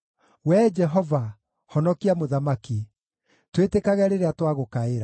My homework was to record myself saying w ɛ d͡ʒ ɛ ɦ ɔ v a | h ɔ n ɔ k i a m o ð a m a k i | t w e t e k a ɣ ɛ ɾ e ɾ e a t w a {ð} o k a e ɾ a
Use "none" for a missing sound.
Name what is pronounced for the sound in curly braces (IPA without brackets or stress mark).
ɣ